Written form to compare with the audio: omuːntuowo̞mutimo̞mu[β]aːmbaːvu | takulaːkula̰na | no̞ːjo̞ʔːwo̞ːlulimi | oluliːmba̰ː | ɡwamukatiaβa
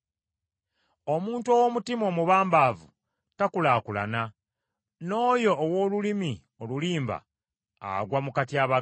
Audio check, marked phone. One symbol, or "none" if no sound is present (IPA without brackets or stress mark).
β